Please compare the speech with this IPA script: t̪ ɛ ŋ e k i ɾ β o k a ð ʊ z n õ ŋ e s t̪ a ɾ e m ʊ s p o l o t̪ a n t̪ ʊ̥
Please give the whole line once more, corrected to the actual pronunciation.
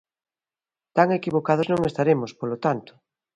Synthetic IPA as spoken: t̪ a ŋ e k i β o k a ð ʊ z n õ ŋ e s t̪ a ɾ e m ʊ s p o l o t̪ a n t̪ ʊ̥